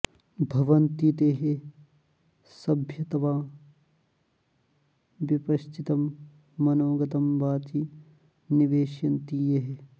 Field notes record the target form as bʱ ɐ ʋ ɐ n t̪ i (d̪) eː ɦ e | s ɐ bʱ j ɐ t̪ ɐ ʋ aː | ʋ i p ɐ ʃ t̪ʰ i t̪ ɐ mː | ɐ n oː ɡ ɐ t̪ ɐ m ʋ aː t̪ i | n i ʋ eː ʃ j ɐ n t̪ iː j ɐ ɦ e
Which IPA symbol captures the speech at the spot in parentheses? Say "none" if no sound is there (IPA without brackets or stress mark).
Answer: t̪